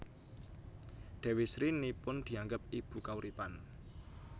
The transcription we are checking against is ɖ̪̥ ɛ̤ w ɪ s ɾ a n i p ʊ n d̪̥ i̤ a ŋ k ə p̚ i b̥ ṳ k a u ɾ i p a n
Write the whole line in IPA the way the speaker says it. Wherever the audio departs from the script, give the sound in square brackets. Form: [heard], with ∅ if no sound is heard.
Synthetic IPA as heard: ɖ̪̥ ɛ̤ w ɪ s ɾ [i] n i p ʊ n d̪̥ i̤ a ŋ [ɡ] ə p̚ i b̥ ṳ k a u ɾ i p a n